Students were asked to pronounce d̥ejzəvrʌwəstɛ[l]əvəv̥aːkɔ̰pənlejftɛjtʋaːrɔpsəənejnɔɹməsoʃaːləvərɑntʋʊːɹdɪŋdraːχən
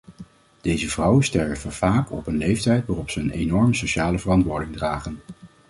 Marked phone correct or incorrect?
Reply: incorrect